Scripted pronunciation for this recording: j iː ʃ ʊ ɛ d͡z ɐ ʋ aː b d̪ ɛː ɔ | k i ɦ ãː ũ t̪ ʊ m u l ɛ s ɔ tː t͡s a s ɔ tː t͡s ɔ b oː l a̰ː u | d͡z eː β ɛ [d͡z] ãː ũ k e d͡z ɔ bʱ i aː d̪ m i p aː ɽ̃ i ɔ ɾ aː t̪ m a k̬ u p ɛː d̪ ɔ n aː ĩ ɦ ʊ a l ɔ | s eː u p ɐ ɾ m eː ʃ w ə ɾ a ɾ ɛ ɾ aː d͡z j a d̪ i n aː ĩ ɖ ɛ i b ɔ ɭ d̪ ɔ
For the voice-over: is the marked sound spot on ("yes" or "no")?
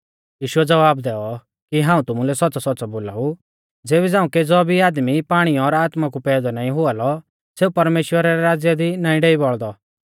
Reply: yes